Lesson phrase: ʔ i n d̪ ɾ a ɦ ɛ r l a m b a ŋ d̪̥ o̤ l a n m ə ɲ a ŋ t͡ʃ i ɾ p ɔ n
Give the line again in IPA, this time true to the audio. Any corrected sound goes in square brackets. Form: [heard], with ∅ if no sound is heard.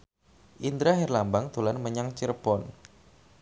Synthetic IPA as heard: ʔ i n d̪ ɾ a ɦ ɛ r l a m b a ŋ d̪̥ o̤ l a n m ə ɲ a ŋ t͡ʃ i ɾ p ɔ n